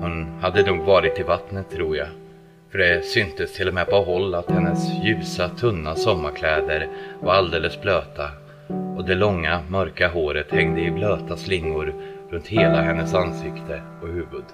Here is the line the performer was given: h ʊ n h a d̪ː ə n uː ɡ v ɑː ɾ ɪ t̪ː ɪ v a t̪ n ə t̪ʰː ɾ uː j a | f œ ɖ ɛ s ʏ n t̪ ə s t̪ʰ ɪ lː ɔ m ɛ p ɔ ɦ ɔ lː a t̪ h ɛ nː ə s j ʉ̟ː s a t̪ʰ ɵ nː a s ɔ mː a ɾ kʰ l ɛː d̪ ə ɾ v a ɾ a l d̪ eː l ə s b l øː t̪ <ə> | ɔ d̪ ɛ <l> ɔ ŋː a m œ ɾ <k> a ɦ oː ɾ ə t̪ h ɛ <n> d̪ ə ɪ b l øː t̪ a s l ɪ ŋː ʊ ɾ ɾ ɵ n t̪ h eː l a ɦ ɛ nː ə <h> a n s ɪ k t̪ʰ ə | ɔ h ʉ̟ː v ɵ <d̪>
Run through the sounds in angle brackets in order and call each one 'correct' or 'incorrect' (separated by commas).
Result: incorrect, correct, correct, incorrect, incorrect, correct